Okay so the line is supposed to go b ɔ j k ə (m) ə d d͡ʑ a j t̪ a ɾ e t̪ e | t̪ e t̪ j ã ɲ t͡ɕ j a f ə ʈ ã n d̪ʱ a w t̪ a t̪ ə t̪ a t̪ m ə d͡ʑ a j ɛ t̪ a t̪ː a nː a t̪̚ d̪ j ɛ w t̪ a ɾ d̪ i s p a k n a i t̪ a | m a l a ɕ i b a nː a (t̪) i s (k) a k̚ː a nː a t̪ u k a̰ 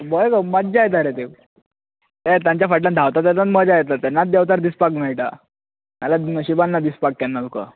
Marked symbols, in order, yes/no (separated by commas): yes, no, no